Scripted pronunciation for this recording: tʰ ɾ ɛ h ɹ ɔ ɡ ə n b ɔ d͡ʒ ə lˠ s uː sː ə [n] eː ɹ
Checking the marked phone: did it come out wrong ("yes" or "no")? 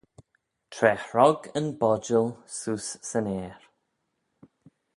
no